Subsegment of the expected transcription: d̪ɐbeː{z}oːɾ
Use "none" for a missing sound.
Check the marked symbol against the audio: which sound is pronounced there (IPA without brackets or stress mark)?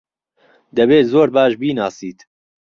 z